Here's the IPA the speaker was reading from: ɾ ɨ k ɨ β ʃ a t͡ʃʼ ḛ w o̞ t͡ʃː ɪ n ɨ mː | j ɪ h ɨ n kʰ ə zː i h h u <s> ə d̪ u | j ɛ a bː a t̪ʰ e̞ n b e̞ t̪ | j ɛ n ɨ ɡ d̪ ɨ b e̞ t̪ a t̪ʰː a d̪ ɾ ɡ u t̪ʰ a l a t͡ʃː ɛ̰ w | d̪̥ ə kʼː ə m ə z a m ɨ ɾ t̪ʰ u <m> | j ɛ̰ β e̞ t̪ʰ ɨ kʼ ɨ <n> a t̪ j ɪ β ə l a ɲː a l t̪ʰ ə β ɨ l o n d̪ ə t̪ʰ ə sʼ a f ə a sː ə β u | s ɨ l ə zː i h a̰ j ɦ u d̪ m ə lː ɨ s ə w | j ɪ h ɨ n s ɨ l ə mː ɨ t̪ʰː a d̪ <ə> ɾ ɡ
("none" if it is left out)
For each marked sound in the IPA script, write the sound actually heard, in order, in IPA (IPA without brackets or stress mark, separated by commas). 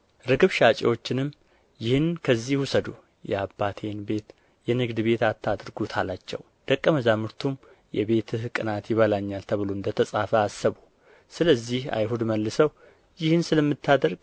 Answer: s, m, n, ə